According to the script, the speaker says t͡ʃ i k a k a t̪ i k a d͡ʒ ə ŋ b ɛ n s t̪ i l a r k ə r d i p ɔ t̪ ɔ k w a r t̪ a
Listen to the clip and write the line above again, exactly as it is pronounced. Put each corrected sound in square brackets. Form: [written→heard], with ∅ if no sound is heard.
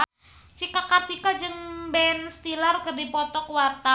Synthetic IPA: t͡ʃ i k a k a t̪ i k a d͡ʒ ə ŋ b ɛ n s t̪ i l a r k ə r d i p ɔ t̪ ɔ k w a r t̪ a